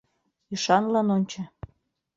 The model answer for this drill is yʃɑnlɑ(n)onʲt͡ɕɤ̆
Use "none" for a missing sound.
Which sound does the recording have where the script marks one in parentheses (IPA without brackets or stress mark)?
n